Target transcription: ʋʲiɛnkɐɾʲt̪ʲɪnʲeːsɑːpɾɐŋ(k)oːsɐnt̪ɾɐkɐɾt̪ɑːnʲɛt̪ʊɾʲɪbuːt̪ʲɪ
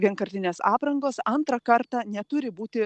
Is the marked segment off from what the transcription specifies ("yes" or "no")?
yes